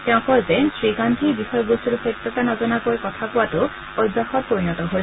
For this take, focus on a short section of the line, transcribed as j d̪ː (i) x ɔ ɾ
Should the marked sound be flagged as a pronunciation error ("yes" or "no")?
yes